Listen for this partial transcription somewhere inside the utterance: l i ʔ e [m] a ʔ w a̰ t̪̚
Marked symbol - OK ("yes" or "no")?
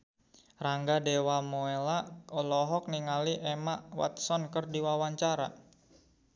yes